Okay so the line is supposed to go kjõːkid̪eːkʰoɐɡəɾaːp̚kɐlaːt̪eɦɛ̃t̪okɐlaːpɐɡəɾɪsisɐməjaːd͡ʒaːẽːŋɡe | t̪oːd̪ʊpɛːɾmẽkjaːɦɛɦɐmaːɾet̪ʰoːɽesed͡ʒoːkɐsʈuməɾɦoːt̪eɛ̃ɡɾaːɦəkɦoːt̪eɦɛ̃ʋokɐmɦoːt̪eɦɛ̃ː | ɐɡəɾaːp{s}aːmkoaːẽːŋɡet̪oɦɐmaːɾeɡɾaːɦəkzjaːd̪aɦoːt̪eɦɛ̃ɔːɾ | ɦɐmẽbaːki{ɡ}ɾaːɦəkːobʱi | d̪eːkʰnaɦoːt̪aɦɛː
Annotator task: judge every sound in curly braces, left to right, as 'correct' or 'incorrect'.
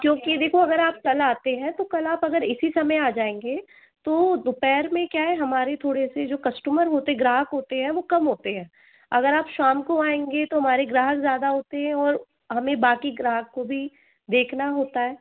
incorrect, correct

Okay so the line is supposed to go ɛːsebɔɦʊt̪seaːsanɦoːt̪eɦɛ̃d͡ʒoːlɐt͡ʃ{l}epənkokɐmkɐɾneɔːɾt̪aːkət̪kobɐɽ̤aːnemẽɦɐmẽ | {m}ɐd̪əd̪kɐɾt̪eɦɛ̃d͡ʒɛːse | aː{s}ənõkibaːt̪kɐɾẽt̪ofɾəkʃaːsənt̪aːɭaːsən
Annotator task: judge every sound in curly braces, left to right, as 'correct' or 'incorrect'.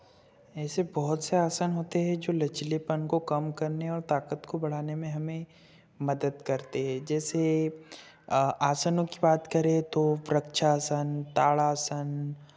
correct, correct, correct

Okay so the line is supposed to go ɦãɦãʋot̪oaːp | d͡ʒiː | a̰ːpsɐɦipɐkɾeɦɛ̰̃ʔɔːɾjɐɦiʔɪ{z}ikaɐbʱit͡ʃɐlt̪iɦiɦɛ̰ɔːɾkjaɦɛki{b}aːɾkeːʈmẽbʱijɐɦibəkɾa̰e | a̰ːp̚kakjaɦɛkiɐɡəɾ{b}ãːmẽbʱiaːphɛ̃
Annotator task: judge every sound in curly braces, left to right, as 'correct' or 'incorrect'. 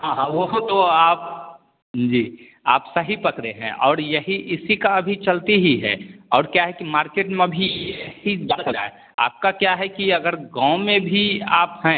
incorrect, incorrect, incorrect

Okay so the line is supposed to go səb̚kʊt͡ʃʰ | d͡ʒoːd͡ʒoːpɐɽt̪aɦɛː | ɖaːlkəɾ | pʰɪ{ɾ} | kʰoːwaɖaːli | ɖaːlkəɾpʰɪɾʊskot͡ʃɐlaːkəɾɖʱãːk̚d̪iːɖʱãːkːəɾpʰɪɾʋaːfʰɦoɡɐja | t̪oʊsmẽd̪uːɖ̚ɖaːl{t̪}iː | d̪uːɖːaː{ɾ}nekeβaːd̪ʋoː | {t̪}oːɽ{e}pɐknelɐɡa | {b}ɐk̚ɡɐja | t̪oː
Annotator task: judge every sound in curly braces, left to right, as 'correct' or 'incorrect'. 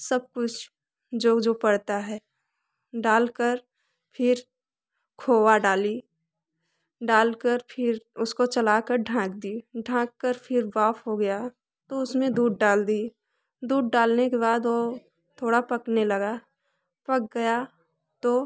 correct, incorrect, incorrect, incorrect, incorrect, incorrect

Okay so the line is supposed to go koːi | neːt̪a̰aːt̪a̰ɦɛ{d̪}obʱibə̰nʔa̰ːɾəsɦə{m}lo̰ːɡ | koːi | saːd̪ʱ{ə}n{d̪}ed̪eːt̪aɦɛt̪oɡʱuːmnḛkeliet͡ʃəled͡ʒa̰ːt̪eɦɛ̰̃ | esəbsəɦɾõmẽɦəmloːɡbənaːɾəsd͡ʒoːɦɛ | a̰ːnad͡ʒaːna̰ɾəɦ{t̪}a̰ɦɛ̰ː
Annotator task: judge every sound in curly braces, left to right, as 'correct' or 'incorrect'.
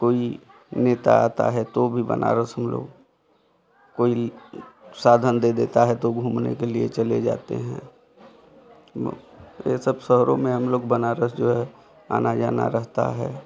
incorrect, correct, correct, correct, correct

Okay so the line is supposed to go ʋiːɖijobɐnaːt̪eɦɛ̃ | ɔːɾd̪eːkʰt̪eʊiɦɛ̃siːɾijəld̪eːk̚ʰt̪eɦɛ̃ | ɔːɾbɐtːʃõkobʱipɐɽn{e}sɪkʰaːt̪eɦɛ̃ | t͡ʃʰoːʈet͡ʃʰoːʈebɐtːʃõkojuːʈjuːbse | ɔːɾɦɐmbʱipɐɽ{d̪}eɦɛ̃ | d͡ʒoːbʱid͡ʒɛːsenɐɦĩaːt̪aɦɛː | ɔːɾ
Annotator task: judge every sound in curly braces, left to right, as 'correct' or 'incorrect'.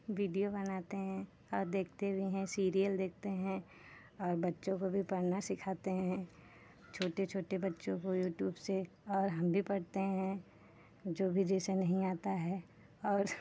incorrect, incorrect

